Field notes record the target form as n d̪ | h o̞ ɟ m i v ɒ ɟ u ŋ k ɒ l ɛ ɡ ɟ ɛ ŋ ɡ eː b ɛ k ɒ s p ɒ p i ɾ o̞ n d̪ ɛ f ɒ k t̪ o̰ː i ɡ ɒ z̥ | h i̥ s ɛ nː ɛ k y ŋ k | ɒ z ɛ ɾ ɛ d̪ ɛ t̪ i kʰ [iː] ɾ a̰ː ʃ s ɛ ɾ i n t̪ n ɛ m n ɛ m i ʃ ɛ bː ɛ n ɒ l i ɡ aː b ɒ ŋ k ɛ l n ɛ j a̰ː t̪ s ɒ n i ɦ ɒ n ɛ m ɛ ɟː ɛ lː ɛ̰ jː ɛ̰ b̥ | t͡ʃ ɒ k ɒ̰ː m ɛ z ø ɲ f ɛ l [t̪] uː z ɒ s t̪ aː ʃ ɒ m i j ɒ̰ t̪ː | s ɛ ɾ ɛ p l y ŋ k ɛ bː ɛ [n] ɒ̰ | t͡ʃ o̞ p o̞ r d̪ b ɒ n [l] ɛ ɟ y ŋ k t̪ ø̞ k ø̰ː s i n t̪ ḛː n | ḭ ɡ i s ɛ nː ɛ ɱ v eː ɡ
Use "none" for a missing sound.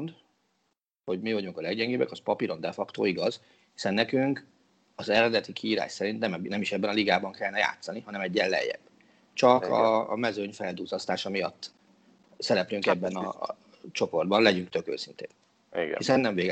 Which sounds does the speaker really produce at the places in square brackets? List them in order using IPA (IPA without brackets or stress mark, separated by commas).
iː, d̪, n, l